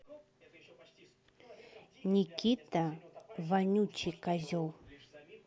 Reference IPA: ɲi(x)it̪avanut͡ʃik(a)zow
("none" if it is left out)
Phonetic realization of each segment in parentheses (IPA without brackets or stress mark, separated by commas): k, a